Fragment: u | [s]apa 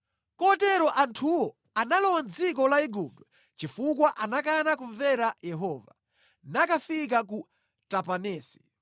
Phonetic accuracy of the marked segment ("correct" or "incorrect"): incorrect